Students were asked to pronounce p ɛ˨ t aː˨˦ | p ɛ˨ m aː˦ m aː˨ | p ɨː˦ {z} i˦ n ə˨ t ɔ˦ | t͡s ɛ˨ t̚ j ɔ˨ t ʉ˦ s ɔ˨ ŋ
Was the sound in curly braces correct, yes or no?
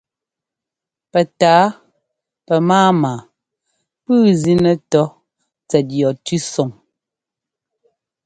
yes